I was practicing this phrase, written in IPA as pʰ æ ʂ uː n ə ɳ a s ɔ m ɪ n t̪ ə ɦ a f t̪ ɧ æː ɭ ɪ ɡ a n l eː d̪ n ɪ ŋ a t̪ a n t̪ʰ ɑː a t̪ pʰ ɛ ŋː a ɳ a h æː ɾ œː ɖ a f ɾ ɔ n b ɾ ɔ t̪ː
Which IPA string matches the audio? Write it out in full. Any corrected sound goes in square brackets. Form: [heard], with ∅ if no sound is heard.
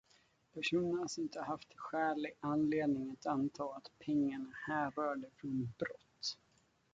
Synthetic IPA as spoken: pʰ æ ʂ uː n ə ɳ a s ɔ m ɪ n t̪ ə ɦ a f t̪ ɧ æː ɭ ɪ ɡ a n l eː d̪ n ɪ ŋ a t̪ a n t̪ʰ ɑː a t̪ pʰ ɛ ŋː a ɳ a h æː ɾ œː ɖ [ə] f ɾ ɔ n b ɾ ɔ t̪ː